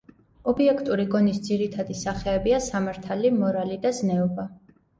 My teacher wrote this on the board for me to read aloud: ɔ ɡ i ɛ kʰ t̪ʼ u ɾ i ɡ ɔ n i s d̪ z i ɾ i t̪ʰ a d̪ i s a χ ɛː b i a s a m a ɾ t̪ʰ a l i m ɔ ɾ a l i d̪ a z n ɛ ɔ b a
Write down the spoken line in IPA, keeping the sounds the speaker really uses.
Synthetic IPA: ɔ b i ɛ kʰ t̪ʼ u ɾ i ɡ ɔ n i s d̪ z i ɾ i t̪ʰ a d̪ i s a χ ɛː b i a s a m a ɾ t̪ʰ a l i m ɔ ɾ a l i d̪ a z n ɛ ɔ b a